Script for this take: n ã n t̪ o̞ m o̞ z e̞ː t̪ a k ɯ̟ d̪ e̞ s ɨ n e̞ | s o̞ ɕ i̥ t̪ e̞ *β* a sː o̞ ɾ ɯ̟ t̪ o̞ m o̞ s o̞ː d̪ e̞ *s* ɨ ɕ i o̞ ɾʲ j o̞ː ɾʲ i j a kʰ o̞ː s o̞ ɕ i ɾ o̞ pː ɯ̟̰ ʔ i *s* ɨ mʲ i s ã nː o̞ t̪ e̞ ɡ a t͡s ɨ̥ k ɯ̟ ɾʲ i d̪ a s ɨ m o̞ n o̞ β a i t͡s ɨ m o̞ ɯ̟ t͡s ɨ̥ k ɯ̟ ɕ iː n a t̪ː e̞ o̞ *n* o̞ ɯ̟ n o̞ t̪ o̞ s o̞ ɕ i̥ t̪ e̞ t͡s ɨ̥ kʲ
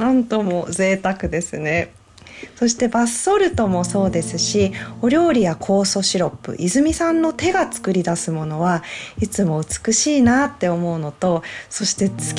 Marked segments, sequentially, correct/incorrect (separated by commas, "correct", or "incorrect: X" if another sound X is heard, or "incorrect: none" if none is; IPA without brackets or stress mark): incorrect: b, correct, incorrect: z, incorrect: m